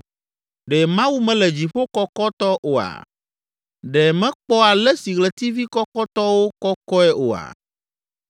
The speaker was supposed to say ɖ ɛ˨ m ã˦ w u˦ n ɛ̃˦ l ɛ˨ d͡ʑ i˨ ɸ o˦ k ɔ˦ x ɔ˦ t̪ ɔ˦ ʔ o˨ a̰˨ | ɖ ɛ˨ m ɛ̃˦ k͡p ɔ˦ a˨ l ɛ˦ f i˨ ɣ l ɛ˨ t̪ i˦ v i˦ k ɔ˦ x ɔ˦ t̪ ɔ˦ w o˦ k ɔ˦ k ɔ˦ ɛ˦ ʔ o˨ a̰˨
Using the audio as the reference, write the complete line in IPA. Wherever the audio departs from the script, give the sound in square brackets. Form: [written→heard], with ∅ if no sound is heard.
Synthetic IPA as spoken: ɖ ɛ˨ m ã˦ w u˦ [n→m] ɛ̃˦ l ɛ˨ d͡ʑ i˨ ɸ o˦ k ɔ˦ [x→k] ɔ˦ t̪ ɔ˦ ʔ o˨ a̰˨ | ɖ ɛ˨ m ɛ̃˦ k͡p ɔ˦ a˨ l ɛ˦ [f→s] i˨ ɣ l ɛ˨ t̪ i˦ v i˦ k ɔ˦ [x→k] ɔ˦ t̪ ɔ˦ w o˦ k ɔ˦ k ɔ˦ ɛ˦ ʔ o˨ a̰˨